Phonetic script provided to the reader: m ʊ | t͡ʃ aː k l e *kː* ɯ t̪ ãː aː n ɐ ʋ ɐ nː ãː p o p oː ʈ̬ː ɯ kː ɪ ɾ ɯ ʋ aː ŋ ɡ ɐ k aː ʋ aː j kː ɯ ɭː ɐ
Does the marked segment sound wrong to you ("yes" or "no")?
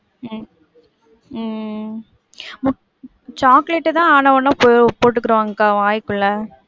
yes